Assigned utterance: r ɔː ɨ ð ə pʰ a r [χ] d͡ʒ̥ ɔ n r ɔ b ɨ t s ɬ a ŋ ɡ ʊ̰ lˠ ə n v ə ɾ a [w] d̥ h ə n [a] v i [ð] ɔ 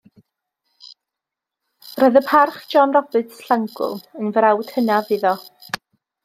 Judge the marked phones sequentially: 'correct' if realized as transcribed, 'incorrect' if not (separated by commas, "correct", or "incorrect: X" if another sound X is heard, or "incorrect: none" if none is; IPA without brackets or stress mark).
correct, correct, correct, correct